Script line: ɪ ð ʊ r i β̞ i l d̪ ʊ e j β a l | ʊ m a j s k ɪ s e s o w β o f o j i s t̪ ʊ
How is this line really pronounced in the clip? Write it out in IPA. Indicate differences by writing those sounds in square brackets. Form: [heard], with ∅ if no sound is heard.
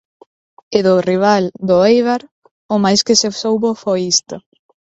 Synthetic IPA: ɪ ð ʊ r i β̞ [a] l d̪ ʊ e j β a [ɾ] | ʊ m a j s k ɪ s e s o w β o f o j i s t̪ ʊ